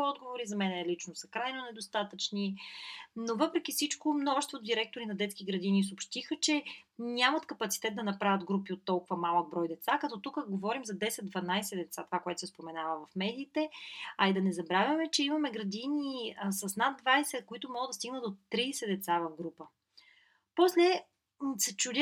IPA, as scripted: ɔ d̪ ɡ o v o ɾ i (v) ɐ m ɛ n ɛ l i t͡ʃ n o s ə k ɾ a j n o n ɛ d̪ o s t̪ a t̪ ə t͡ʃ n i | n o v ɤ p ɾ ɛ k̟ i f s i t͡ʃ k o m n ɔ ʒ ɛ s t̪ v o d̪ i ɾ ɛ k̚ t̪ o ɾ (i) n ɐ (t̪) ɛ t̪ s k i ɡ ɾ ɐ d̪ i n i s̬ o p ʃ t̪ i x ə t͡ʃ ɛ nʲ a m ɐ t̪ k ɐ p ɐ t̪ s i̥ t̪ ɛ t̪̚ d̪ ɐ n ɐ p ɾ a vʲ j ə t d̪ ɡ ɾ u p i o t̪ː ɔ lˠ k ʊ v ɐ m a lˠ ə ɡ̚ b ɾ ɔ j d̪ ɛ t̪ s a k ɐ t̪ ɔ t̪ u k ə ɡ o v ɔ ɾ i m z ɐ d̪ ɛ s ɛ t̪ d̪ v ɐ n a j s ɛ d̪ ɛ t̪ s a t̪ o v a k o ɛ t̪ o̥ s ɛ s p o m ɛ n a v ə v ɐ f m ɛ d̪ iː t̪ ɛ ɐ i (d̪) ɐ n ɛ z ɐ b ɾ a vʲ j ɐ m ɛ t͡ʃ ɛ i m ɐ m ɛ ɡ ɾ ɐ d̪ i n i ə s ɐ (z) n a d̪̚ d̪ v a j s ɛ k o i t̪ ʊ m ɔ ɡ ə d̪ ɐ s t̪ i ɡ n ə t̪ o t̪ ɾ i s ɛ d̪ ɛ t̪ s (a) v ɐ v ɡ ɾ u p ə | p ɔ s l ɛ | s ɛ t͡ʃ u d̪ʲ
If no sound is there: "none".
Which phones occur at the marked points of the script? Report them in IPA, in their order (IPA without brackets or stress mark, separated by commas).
z, i, d̪, d̪, s, a